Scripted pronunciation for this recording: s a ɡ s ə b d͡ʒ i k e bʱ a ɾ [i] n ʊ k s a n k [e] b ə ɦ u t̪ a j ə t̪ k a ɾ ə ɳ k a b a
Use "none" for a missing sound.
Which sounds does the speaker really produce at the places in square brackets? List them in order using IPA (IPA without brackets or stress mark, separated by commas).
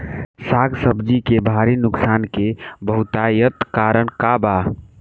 i, e